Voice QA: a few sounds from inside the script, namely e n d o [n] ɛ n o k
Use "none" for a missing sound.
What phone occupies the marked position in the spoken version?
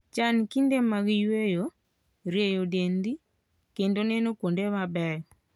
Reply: n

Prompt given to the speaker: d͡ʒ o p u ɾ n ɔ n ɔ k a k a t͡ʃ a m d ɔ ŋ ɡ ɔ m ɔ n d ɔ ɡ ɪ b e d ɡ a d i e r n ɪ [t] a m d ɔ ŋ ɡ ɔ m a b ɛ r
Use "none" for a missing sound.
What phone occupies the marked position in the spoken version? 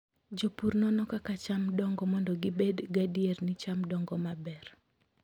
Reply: t͡ʃ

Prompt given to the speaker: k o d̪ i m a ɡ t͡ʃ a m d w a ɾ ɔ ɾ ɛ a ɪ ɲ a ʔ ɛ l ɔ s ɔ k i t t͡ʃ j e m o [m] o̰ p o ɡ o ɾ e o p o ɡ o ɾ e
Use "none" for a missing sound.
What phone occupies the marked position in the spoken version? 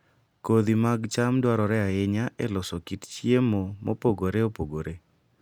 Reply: m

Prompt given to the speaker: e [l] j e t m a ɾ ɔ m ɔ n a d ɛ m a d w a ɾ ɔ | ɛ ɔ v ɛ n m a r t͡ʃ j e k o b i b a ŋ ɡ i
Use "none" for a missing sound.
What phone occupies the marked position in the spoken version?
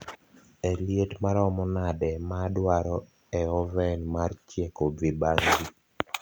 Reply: l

